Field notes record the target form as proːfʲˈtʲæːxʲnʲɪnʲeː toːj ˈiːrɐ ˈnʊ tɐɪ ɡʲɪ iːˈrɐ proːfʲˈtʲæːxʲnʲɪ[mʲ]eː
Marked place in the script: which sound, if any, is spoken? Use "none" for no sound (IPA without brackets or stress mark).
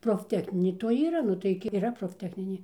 nʲ